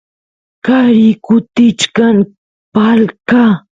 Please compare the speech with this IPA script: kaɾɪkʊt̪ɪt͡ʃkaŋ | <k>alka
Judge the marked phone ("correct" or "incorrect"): incorrect